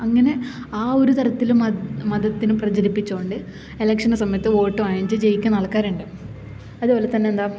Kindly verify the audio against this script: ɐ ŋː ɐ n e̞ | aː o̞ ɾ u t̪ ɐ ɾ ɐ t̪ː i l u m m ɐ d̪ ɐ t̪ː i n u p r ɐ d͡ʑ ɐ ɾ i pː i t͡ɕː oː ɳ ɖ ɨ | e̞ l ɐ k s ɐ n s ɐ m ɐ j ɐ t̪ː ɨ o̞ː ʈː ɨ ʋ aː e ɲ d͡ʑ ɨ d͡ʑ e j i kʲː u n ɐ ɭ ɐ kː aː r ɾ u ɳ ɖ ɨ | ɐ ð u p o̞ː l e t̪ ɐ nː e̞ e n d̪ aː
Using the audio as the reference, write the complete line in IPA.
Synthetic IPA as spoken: ɐ ŋː ɐ n e̞ | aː o̞ ɾ u t̪ ɐ ɾ ɐ t̪ː i l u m m ɐ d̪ ɐ t̪ː i n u p r ɐ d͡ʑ ɐ ɾ i pː i t͡ɕː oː ɳ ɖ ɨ | e̞ l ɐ k ʂ ɐ n s ɐ m ɐ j ɐ t̪ː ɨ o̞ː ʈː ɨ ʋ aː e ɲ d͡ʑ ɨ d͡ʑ e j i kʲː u n ɐ ɭ ɐ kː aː ɾ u ɳ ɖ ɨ | ɐ ð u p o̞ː l e t̪ ɐ nː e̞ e n d̪ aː